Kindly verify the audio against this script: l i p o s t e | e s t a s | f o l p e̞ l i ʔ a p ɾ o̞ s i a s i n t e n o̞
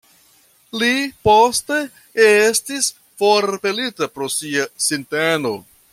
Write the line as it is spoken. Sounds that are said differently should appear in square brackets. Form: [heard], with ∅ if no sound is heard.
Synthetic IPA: l i p o s t e | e s t [i] s | f o [ɾ] p e̞ l i [t] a p ɾ o̞ s i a s i n t e n o̞